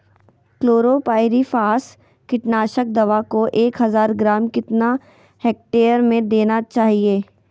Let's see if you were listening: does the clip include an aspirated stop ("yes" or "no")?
no